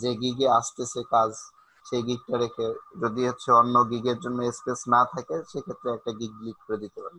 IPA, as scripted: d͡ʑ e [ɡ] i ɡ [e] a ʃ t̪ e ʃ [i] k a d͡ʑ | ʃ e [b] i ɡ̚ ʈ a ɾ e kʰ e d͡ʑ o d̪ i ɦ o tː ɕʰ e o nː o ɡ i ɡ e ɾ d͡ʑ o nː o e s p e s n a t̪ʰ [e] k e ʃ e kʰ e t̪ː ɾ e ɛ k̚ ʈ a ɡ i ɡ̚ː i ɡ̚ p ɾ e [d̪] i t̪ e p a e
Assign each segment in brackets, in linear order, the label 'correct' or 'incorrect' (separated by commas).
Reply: correct, correct, incorrect, incorrect, incorrect, correct